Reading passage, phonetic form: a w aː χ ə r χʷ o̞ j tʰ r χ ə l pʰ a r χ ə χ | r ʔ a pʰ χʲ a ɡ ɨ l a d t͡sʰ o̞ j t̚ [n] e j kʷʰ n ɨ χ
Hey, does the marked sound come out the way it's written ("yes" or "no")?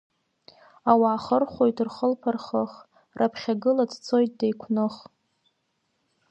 no